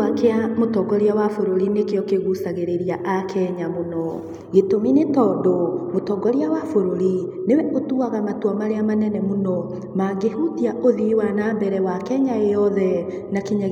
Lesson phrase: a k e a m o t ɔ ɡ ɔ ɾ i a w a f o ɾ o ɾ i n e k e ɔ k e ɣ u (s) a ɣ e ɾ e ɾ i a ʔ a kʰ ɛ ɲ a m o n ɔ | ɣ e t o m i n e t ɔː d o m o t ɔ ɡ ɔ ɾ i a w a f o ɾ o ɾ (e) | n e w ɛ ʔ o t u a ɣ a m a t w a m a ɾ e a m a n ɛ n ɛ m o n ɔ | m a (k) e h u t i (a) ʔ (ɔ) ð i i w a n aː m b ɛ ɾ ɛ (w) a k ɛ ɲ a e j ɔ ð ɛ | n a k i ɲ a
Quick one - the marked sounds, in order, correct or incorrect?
correct, incorrect: i, incorrect: ɡ, correct, incorrect: o, correct

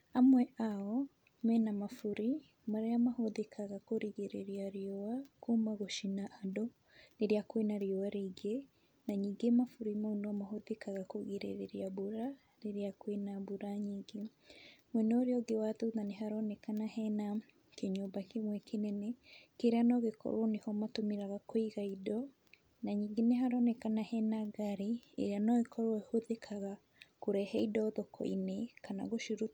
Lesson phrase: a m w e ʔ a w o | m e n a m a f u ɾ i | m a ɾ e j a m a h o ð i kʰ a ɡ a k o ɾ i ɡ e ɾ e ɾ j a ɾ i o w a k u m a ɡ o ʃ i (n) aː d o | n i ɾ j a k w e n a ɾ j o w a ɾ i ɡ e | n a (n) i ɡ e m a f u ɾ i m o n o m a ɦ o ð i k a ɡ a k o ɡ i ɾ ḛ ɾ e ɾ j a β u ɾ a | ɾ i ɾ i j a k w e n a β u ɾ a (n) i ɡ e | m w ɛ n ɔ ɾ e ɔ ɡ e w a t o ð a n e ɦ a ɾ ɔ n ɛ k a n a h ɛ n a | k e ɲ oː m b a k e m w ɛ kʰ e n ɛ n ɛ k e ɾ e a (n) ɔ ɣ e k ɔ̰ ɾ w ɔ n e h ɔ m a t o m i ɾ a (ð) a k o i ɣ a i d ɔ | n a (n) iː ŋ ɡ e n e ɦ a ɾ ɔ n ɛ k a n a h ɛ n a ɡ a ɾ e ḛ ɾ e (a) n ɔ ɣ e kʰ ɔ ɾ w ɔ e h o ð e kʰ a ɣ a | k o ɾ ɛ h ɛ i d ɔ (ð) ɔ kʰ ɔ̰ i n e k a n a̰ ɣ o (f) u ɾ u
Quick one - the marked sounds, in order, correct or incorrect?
correct, incorrect: ɲ, incorrect: ɲ, correct, incorrect: ɣ, incorrect: ɲ, correct, correct, incorrect: ʃ

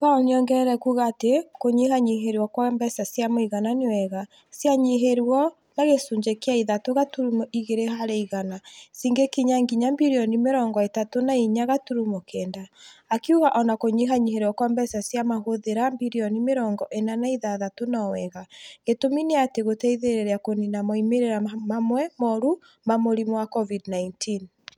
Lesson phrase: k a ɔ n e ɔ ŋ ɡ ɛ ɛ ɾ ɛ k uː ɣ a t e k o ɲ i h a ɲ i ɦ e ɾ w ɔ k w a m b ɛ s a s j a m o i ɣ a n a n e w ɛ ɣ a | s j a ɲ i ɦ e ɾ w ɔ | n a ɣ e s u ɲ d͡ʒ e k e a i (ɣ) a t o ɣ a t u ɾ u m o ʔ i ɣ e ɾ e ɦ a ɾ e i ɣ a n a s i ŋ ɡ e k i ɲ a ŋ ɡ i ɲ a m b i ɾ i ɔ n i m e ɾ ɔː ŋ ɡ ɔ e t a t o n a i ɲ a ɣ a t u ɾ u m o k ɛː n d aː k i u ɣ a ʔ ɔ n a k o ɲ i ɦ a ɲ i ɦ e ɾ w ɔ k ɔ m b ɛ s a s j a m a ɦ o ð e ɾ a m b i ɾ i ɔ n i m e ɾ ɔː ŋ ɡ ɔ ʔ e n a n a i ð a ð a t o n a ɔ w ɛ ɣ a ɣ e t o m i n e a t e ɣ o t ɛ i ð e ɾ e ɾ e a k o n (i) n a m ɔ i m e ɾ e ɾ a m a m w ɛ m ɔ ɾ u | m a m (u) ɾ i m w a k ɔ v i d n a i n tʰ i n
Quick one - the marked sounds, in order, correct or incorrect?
incorrect: ð, correct, incorrect: o

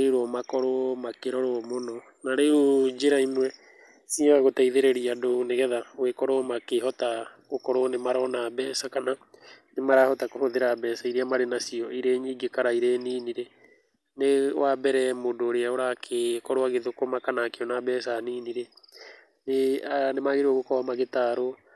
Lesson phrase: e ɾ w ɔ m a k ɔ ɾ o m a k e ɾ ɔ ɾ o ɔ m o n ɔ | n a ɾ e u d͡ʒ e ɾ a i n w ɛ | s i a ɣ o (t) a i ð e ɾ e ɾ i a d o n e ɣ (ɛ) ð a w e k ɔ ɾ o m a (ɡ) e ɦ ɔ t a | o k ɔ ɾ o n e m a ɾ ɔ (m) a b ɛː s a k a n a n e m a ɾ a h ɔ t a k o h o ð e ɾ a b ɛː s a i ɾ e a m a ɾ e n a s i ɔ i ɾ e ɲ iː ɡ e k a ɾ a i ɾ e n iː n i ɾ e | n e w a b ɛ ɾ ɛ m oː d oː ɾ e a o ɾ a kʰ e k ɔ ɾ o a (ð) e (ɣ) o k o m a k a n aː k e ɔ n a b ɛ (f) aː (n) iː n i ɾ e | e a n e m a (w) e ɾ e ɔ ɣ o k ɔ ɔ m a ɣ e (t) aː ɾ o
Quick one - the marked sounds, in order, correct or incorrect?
correct, correct, incorrect: k, incorrect: n, incorrect: ɣ, incorrect: ð, incorrect: s, correct, incorrect: ɣ, correct

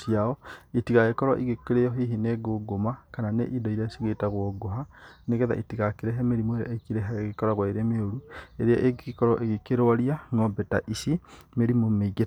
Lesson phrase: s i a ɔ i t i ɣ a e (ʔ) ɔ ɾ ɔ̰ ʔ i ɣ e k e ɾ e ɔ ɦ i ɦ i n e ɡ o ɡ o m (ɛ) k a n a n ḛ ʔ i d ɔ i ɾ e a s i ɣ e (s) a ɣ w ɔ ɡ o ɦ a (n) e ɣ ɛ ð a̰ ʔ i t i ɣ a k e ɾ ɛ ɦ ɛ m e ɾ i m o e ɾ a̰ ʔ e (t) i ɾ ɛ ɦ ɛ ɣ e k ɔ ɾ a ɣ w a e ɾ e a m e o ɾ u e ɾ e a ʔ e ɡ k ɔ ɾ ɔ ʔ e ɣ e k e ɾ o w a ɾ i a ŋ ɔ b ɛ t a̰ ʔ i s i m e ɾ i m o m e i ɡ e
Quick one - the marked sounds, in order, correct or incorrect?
incorrect: k, incorrect: a, incorrect: t, correct, incorrect: k

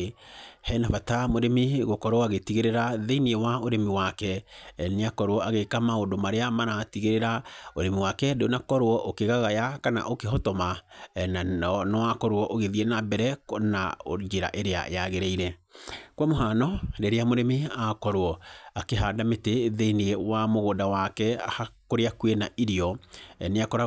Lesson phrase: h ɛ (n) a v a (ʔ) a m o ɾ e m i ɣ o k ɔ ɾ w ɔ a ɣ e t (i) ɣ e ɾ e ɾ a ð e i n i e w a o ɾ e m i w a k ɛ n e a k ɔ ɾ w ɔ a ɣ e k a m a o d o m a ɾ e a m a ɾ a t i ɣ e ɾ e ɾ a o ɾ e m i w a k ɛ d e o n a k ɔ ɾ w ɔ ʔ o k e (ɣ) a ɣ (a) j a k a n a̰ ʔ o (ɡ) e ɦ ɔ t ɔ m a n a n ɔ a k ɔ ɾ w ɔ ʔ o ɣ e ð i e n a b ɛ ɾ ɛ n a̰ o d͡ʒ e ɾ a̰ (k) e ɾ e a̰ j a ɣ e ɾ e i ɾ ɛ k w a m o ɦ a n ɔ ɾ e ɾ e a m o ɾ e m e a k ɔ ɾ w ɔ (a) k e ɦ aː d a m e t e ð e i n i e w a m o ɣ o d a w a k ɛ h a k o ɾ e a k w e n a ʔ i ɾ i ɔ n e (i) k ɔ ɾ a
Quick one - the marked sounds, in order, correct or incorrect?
correct, incorrect: t, correct, correct, correct, incorrect: k, incorrect: ʔ, correct, incorrect: a

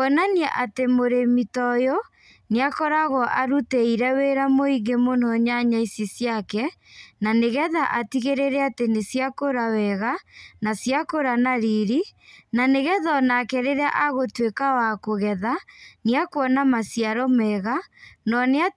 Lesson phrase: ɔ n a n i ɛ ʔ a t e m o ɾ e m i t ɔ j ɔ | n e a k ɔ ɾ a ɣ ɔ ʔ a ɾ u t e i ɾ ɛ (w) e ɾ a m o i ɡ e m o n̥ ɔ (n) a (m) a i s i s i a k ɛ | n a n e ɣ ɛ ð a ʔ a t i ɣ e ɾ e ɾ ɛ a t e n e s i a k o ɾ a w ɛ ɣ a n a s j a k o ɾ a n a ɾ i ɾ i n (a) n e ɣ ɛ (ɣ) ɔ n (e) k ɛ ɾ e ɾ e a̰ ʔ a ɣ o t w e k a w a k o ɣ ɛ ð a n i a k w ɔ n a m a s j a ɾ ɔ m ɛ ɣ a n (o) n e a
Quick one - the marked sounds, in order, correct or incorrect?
correct, incorrect: ɲ, incorrect: ɲ, correct, incorrect: ð, incorrect: a, incorrect: ɔ

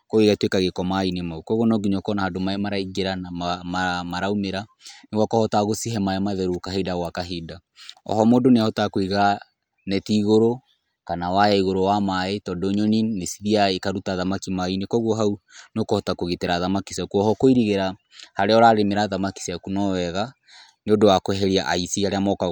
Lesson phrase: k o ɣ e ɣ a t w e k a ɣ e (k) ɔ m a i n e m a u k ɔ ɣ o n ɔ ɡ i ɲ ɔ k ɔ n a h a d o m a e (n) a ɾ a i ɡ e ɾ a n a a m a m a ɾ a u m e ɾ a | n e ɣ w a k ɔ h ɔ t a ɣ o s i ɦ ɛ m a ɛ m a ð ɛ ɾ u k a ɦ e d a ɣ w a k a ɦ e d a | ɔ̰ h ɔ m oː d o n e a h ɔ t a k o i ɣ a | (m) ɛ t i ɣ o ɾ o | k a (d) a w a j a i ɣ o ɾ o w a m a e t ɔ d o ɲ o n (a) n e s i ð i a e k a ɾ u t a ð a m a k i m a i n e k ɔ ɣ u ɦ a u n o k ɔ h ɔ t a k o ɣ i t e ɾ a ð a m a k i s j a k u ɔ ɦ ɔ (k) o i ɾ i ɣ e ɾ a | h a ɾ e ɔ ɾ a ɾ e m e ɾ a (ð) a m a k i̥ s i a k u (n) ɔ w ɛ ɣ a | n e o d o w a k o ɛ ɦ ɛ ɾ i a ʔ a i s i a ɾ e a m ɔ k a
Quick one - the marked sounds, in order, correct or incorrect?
correct, incorrect: m, incorrect: n, incorrect: n, incorrect: i, correct, correct, correct

